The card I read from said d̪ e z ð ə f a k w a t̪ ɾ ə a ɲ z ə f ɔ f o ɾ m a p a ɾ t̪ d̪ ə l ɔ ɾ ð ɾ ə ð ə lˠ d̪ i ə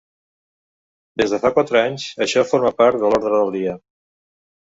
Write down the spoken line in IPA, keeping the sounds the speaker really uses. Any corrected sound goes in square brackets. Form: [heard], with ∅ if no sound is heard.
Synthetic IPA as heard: d̪ e z ð ə f a k w a t̪ ɾ ə a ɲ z ə [ʃ] ɔ f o ɾ m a p a ɾ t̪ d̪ ə l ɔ ɾ ð ɾ ə ð ə lˠ d̪ i ə